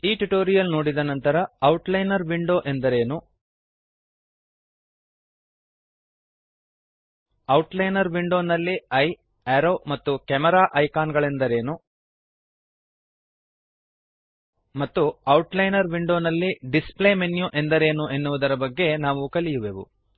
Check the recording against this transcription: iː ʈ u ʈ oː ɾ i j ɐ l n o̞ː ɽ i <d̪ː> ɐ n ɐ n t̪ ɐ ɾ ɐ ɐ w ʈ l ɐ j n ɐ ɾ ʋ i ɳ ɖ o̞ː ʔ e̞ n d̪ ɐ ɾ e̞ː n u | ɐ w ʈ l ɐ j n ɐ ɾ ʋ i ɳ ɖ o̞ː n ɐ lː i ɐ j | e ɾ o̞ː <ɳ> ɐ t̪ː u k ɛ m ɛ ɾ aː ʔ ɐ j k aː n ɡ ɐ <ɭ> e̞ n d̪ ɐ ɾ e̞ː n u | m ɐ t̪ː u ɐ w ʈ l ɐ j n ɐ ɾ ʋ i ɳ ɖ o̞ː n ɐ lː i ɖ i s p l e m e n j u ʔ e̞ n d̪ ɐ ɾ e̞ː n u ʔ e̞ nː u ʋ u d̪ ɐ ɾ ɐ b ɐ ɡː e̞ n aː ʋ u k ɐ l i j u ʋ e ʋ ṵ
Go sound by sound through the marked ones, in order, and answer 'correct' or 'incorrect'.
incorrect: d̪, incorrect: m, correct

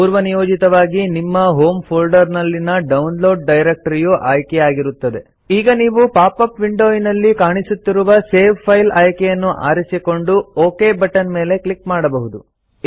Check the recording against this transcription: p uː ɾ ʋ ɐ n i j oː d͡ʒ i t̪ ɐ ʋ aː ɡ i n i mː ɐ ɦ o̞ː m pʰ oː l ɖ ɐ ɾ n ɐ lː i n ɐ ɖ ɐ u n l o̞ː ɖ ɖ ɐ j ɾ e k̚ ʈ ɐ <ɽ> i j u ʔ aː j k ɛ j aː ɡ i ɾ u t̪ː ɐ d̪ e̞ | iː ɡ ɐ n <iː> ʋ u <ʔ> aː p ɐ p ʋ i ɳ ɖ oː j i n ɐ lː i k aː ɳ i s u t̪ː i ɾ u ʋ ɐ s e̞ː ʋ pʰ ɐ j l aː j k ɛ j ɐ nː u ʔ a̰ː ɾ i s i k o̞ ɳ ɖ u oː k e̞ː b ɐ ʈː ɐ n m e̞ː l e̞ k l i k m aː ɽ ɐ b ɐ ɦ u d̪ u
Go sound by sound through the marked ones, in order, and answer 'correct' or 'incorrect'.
incorrect: ɾ, correct, incorrect: p

